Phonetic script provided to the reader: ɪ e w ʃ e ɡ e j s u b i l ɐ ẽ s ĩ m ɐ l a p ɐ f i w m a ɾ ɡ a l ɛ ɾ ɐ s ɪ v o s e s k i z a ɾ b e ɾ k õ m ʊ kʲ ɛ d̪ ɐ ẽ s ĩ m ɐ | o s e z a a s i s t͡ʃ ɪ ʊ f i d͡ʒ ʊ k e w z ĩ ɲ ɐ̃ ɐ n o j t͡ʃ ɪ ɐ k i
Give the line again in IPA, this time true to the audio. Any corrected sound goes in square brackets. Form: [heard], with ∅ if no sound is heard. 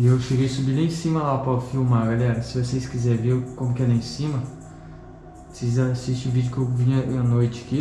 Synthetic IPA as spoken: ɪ e w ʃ e ɡ e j s u b i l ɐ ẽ s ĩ m ɐ l a p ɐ f i w m a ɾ ɡ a l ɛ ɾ ɐ s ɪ v o s e s k i z [ɛ] ɾ [v] e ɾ k õ m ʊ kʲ ɛ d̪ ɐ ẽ s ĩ m ɐ | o s e z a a s i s t͡ʃ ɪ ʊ [v] i d͡ʒ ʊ k e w [v] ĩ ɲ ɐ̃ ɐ n o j t͡ʃ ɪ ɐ k i